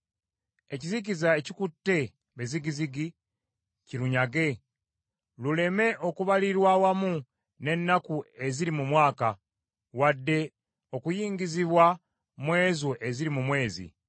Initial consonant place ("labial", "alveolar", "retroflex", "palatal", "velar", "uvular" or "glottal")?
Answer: palatal